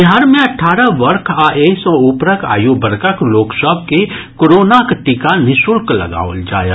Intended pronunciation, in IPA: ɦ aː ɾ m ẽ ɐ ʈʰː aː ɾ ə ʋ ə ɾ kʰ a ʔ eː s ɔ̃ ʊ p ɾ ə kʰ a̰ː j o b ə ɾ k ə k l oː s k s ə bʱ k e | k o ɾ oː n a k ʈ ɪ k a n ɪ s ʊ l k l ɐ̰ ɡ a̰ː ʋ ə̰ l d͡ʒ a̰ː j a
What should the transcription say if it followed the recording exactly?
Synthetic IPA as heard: ɦ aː ɾ m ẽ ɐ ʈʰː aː ɾ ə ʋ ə ɾ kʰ a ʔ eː s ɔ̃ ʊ p ɾ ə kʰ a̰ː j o b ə ɾ k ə k l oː k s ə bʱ k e | k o ɾ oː n a k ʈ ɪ k a n ɪ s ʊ l k l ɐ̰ ɡ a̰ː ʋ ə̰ l d͡ʒ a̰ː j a